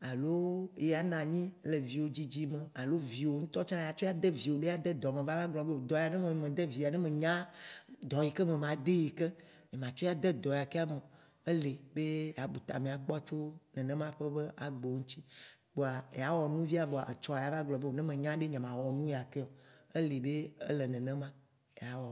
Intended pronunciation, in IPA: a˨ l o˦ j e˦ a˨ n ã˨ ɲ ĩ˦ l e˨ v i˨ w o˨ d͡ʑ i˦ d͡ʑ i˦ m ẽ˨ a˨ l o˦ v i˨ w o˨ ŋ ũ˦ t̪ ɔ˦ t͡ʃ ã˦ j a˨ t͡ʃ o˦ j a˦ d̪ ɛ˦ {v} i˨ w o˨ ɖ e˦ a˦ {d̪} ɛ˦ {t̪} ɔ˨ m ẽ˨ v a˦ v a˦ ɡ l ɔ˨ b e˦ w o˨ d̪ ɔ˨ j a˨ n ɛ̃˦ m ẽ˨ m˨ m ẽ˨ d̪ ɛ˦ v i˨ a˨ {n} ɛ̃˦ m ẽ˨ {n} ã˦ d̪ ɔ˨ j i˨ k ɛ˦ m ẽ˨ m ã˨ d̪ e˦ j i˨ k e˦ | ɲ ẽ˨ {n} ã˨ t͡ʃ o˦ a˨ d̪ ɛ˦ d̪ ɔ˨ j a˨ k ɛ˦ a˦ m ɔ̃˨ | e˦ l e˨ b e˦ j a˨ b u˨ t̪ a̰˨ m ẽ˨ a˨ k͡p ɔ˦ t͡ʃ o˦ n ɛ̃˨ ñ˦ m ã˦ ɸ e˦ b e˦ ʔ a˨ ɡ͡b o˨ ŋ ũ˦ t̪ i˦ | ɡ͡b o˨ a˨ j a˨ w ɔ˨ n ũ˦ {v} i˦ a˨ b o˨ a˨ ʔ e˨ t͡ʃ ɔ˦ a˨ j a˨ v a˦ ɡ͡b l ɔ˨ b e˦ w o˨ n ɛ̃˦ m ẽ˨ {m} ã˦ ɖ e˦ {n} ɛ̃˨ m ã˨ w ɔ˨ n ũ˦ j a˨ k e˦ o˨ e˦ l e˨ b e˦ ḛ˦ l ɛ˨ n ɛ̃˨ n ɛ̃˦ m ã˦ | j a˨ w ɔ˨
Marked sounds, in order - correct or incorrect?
correct, correct, incorrect, correct, incorrect, incorrect, correct, incorrect, incorrect

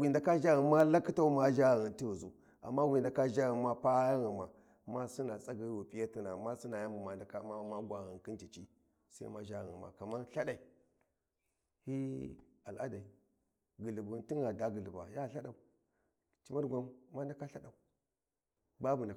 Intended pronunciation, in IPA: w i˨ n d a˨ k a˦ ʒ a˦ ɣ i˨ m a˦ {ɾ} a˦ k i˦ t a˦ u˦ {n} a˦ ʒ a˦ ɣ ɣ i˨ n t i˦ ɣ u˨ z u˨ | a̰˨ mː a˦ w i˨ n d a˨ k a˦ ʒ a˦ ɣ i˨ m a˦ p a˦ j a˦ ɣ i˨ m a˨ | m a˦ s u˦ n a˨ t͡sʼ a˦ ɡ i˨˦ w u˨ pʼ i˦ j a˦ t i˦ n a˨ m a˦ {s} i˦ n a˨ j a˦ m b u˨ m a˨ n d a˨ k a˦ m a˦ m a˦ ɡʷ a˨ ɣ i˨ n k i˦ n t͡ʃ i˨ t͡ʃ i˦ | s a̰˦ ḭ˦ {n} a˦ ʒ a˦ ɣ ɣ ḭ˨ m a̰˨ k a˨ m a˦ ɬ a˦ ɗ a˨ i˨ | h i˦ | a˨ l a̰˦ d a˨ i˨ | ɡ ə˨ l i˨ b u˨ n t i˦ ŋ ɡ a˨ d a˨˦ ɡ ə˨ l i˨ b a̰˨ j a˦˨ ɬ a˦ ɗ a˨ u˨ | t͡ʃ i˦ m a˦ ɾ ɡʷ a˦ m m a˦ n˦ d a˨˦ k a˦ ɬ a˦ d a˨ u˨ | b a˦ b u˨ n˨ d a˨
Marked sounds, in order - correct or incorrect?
incorrect, incorrect, correct, incorrect

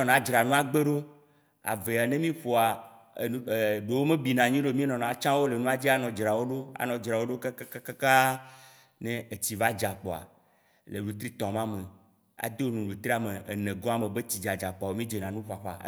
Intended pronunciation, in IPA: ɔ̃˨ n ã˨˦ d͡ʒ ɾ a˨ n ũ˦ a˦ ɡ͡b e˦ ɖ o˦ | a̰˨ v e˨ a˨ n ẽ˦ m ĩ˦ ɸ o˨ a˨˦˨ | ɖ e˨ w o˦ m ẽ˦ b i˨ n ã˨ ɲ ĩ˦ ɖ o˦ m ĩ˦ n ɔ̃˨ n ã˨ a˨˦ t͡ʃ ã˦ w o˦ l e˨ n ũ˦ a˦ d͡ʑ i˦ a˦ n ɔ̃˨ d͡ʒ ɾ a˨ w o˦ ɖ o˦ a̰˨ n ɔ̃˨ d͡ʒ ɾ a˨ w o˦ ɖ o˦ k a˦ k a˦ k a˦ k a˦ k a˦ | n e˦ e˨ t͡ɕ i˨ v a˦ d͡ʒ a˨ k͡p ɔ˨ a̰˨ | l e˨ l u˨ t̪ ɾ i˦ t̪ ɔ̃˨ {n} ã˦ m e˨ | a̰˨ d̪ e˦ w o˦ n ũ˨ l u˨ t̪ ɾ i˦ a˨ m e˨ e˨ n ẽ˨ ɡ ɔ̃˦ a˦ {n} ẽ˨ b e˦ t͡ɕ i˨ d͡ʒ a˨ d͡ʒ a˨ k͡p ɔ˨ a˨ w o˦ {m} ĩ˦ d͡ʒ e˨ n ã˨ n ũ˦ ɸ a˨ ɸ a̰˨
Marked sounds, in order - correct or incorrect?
incorrect, incorrect, correct

